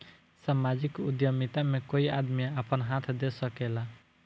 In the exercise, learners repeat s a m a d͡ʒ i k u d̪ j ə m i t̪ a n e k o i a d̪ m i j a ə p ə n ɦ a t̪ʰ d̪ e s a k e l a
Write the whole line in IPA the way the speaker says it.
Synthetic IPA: s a m a d͡ʒ i k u d̪ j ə m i t̪ a m e k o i a d̪ m i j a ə p ə n ɦ a t̪ʰ d̪ e s ə k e l a